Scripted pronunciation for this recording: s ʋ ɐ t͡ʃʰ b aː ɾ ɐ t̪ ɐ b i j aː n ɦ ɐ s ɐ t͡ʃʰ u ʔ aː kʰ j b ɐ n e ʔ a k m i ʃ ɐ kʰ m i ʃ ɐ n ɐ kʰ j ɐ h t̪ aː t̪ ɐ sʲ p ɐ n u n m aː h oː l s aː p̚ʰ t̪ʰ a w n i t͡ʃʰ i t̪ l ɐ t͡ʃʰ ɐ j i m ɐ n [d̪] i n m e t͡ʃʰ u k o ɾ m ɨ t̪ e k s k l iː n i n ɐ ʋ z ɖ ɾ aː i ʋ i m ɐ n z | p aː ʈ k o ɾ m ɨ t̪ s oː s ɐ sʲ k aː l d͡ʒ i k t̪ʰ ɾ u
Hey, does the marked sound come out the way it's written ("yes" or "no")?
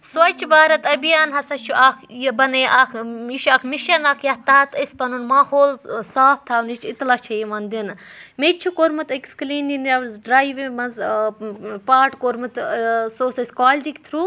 yes